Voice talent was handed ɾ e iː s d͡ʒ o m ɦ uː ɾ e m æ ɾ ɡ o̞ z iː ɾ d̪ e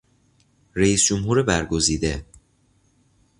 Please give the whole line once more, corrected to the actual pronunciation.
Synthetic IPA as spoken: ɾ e iː s d͡ʒ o m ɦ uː ɾ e b æ ɾ ɡ o̞ z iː d̪ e